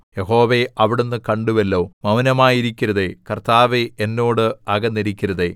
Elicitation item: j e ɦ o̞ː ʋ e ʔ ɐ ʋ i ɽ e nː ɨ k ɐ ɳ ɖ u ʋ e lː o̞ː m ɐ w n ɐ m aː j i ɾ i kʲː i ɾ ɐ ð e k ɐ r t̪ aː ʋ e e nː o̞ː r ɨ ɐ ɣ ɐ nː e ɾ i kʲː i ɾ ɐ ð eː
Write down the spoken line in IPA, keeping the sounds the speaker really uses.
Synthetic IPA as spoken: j e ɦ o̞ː ʋ e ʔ ɐ ʋ i ɽ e nː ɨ k ɐ ɳ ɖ u ʋ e lː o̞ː m ɐ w n ɐ m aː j i ɾ i kʲː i ɾ ɐ ð e k ɐ r t̪ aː ʋ e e nː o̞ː ɽ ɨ ɐ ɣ ɐ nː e ɾ i kʲː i ɾ ɐ ð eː